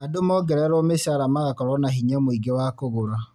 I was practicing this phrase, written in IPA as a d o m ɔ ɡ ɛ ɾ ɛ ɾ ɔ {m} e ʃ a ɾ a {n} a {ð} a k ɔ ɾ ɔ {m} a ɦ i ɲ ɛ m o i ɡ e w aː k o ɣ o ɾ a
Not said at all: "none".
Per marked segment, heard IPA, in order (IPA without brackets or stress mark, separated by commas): m, m, ɣ, n